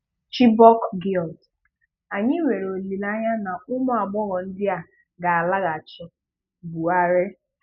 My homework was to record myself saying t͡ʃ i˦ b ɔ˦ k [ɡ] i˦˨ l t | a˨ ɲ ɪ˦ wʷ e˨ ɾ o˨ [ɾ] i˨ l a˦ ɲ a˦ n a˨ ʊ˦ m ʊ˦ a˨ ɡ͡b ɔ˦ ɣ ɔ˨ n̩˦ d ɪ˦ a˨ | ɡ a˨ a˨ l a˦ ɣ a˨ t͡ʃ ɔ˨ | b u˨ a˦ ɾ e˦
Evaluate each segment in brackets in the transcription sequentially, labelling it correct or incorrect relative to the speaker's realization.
correct, incorrect

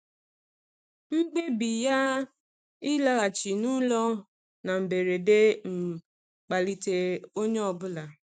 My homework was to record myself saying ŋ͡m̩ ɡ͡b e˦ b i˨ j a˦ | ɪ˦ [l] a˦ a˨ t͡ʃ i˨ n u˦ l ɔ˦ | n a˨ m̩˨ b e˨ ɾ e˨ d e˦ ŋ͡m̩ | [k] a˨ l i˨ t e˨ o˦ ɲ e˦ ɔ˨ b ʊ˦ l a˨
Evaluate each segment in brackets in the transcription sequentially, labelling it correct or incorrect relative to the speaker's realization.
correct, incorrect

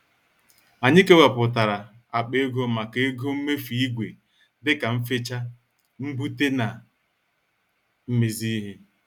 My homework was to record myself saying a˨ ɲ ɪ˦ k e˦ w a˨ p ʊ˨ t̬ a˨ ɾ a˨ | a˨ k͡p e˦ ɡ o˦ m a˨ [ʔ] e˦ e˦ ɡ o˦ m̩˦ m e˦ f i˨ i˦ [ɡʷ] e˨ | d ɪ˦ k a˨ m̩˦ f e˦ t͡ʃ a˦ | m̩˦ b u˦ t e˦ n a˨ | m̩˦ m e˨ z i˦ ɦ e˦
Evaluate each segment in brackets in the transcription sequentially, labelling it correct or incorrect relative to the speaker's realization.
incorrect, correct

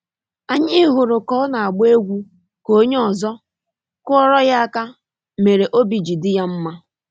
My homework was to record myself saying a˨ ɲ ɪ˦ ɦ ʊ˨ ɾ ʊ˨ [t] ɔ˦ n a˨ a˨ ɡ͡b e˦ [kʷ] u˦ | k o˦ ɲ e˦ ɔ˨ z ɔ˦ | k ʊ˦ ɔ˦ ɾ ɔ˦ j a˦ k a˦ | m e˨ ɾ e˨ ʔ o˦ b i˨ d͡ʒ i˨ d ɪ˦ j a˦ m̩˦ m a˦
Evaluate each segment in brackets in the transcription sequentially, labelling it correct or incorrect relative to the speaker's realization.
incorrect, incorrect

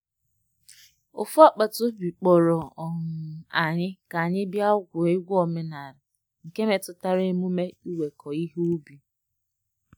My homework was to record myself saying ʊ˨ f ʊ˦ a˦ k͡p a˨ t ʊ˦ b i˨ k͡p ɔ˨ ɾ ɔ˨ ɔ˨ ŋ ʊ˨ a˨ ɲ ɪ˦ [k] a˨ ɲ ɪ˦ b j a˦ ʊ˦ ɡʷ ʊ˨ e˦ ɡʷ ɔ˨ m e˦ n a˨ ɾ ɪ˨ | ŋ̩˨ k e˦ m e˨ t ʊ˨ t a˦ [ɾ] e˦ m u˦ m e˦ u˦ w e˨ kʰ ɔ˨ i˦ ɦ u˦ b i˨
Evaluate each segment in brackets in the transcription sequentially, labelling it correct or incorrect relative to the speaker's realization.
correct, correct

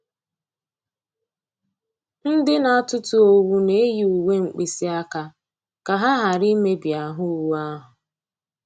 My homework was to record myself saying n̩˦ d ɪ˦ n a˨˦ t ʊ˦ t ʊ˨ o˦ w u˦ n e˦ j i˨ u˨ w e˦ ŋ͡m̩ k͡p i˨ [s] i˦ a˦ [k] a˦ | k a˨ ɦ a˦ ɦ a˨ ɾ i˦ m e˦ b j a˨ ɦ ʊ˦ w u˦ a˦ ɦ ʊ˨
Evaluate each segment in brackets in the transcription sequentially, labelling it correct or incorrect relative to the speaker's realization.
correct, correct

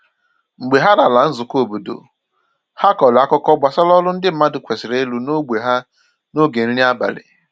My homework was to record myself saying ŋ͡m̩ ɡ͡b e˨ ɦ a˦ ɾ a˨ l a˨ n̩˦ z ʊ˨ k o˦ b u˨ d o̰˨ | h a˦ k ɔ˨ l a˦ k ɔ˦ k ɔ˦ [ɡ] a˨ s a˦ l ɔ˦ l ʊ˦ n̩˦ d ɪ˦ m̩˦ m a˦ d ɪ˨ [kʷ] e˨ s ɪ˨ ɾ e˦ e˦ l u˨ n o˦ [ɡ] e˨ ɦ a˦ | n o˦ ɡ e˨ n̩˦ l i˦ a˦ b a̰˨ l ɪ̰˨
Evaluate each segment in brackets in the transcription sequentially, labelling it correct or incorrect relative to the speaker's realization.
incorrect, correct, incorrect

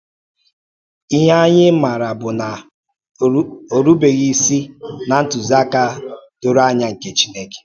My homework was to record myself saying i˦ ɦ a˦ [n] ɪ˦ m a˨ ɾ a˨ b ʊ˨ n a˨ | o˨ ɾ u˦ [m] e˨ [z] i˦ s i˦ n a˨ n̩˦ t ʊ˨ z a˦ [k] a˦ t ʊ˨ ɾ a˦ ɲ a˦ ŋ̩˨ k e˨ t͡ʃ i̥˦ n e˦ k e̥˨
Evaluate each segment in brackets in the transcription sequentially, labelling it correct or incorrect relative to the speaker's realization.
incorrect, incorrect, incorrect, correct

